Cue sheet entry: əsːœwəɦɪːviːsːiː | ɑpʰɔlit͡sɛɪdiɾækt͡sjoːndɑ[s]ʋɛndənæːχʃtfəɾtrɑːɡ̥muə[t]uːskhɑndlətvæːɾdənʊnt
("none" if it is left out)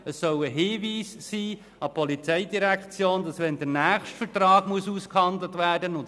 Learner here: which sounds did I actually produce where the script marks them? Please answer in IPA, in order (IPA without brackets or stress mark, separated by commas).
s, s